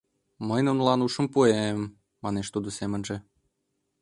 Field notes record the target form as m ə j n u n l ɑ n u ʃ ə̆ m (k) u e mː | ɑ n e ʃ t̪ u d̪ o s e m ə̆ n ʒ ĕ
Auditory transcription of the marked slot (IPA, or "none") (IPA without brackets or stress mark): p